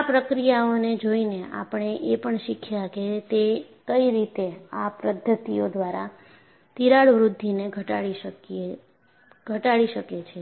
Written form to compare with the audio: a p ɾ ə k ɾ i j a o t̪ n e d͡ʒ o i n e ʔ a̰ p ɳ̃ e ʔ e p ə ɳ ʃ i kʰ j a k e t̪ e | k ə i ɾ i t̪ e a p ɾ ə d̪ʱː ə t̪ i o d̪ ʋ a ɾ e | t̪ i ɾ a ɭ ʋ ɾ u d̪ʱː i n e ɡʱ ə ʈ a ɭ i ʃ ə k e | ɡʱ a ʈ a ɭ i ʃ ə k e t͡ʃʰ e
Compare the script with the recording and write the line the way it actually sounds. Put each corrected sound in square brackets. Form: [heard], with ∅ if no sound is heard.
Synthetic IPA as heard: a p ɾ ə k ɾ i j a o [∅] n e d͡ʒ o i n e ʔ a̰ p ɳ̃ e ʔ e p ə ɳ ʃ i kʰ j a k e t̪ e | k ə i ɾ i t̪ e a p ɾ ə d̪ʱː ə t̪ i o d̪ ʋ a ɾ [a] | t̪ i ɾ a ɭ ʋ ɾ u d̪ʱː i n e ɡʱ ə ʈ a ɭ i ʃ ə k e | ɡʱ [ə] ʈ a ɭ i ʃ ə k e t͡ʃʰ e